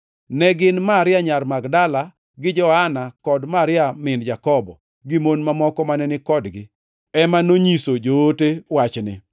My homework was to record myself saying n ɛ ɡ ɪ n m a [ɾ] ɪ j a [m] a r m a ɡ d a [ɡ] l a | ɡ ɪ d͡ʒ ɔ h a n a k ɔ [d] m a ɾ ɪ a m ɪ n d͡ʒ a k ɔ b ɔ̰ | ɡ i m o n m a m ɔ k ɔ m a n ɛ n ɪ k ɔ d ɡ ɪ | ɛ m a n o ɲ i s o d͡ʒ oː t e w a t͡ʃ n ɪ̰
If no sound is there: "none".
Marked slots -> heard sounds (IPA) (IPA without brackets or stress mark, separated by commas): ɾ, ɲ, none, d